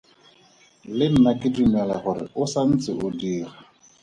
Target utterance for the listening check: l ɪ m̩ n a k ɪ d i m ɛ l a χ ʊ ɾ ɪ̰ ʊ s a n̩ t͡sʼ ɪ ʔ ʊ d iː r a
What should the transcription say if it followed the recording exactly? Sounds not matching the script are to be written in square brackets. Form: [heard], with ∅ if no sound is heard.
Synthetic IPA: l ɪ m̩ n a k ɪ d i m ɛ l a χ ʊ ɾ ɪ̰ ʊ s a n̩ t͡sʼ ɪ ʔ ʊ d iː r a